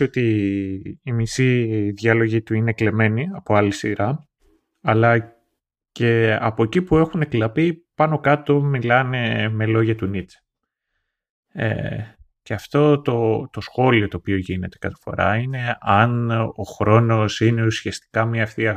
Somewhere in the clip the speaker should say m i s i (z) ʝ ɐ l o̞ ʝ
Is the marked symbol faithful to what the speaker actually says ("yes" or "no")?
no